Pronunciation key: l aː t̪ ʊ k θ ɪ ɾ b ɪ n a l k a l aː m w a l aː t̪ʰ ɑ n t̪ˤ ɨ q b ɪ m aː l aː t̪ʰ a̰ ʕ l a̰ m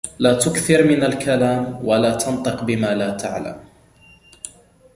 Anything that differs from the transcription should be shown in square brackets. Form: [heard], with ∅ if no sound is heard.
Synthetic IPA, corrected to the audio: l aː t̪ ʊ k θ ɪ ɾ [m] ɪ n a l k a l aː m w a l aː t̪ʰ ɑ n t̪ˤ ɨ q b ɪ m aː l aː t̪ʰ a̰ ʕ l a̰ m